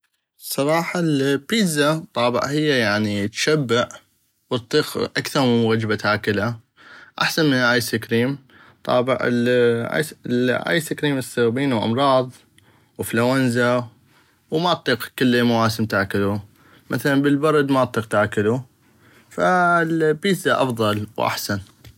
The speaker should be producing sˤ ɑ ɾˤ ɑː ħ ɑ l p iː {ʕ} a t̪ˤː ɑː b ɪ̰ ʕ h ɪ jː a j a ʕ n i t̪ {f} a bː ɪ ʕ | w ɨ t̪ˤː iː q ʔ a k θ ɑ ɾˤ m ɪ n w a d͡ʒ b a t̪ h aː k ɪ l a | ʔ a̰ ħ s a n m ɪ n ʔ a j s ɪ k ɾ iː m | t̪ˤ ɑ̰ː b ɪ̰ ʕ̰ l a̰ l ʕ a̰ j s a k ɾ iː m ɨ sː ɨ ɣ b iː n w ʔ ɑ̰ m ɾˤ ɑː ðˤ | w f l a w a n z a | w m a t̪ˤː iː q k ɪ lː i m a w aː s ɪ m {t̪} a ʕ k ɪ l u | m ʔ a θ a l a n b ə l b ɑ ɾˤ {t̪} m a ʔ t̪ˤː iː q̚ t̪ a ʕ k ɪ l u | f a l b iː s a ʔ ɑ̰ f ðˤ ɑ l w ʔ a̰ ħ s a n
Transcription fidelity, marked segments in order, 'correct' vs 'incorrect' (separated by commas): incorrect, incorrect, correct, incorrect